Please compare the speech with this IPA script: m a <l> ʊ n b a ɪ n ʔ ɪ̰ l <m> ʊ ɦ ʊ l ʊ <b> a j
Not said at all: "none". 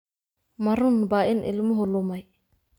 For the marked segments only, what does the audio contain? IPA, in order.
ɾ, m, m

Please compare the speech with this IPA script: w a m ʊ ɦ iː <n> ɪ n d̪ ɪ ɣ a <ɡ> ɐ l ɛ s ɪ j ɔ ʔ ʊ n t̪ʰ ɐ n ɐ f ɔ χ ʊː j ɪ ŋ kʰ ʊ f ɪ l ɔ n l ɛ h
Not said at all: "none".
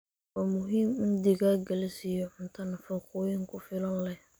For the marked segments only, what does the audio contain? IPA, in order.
m, ɡ

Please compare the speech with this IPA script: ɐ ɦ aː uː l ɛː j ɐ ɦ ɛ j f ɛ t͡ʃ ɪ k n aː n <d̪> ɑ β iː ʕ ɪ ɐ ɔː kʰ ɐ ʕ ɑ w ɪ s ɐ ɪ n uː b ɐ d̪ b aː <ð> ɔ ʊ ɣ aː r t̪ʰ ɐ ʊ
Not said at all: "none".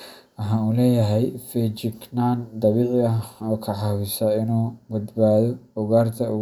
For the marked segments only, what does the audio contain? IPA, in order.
d̪, ð

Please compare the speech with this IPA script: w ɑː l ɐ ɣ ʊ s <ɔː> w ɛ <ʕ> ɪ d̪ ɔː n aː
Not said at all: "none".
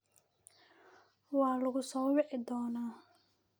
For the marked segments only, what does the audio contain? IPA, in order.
ɔː, ʕ

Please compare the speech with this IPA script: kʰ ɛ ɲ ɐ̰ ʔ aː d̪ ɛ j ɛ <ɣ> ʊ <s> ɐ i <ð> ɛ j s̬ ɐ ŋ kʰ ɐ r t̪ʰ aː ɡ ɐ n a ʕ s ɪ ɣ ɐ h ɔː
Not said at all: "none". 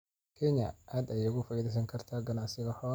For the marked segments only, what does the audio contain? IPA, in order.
ɣ, f, ð

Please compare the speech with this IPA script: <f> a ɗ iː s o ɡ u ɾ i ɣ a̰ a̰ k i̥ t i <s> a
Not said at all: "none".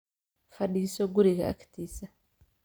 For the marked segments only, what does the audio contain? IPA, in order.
f, s

